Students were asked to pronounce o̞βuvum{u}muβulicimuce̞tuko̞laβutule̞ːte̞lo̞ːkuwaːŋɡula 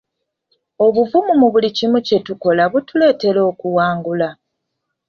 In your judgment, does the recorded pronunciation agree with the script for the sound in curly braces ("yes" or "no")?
yes